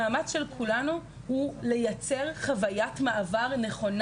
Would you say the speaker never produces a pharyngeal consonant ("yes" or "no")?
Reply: yes